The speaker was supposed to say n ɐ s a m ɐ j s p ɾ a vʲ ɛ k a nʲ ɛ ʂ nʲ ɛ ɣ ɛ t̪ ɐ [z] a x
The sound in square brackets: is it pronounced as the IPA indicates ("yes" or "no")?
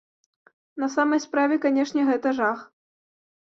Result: no